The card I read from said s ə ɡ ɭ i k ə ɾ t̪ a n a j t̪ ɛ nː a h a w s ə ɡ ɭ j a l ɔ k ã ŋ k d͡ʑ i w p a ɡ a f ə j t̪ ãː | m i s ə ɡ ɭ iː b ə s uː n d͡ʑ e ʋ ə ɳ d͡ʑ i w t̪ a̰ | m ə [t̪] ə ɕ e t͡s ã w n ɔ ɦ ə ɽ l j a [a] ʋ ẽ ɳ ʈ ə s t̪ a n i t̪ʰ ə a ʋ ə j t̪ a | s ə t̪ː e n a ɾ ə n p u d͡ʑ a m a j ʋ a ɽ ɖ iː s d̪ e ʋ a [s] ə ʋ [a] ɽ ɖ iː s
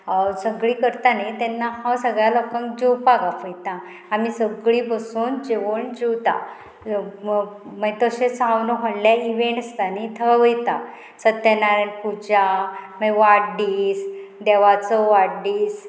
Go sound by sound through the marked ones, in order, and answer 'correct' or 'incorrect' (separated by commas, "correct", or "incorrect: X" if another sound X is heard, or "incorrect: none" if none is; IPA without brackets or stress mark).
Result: correct, incorrect: i, incorrect: t͡s, correct